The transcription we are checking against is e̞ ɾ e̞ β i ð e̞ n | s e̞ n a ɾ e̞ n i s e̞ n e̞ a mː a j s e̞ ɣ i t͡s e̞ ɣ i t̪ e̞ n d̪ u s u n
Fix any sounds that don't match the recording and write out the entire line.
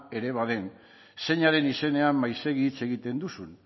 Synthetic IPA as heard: e̞ ɾ e̞ β a ð e̞ n | s e̞ ɲ a ɾ e̞ n i s e̞ n e̞ a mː a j s e̞ ɣ i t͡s e̞ ɣ i t̪ e̞ n d̪ u s u n